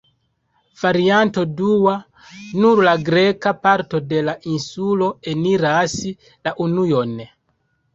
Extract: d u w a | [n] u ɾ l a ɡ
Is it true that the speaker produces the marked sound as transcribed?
yes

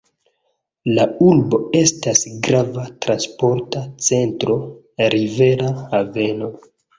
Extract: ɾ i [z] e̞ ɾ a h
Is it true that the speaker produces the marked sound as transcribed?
no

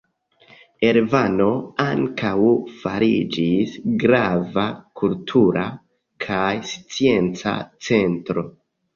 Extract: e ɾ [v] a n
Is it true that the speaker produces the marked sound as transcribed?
yes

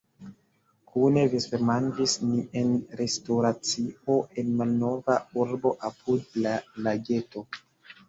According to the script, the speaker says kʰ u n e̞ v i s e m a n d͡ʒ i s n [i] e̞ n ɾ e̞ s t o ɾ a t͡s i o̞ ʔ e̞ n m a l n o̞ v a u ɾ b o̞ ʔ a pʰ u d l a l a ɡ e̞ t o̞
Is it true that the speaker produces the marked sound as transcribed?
yes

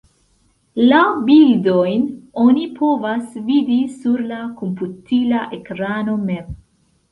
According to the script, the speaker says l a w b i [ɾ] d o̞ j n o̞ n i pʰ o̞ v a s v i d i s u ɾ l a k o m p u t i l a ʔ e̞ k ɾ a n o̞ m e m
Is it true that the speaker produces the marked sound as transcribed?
no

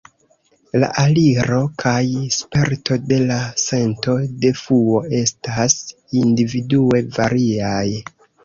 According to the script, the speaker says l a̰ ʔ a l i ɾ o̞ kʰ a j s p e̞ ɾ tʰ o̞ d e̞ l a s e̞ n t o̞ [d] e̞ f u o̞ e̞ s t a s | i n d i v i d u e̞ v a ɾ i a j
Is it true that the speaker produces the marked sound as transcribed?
yes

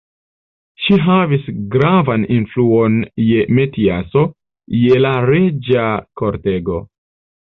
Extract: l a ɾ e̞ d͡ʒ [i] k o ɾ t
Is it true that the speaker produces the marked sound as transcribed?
no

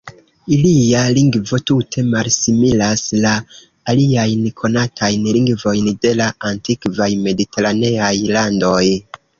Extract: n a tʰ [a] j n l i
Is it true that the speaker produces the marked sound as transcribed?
yes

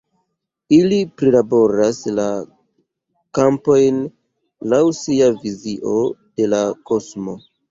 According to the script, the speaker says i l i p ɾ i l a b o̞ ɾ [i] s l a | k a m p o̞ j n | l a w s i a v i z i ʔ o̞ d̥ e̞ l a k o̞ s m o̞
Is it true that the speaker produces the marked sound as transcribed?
no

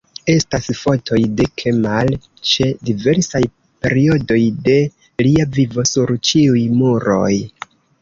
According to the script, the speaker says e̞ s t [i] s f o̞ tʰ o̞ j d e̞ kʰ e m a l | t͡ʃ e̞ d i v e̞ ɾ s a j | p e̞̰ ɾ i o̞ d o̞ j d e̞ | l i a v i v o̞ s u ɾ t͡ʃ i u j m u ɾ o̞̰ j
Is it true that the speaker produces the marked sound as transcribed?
no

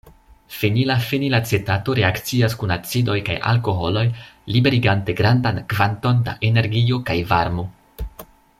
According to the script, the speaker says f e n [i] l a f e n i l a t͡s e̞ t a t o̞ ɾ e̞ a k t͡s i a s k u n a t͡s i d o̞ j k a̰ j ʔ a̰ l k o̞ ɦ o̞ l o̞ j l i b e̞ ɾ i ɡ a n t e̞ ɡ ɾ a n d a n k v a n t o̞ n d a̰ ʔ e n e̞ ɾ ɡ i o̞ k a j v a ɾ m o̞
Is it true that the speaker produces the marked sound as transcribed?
yes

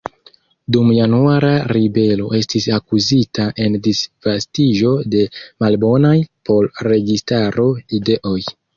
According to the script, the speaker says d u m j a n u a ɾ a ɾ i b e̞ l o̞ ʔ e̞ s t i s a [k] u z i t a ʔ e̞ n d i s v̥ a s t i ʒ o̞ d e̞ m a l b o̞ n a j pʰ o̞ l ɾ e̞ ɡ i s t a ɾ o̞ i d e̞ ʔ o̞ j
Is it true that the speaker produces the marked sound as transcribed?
yes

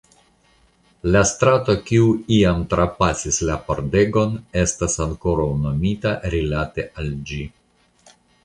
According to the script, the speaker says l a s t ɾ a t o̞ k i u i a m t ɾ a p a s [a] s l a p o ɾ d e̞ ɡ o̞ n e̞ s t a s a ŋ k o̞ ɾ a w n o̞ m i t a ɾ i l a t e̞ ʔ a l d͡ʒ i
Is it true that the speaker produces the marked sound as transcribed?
no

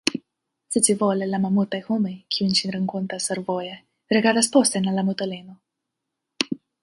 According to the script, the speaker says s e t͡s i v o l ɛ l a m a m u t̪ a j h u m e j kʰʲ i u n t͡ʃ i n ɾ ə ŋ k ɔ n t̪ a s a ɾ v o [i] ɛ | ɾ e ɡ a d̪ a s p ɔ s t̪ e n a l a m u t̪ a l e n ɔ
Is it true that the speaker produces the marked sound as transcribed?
no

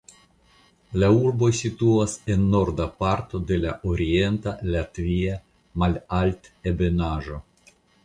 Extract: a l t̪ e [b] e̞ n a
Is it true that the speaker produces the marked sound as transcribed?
yes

